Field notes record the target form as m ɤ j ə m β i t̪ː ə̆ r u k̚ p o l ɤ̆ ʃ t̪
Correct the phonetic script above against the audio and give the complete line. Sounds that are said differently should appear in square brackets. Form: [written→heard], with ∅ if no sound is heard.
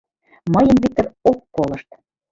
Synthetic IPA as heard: m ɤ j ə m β i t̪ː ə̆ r [u→o] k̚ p o l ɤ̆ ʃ t̪